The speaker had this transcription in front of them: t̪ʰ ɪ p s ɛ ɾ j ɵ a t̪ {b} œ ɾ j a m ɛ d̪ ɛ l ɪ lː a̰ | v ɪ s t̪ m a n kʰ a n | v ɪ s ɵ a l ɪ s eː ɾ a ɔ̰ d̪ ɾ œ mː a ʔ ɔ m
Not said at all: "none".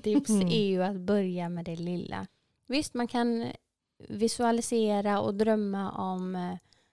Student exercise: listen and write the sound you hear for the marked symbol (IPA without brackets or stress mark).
b